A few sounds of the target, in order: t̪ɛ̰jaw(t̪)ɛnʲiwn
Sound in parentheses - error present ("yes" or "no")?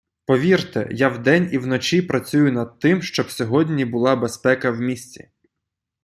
yes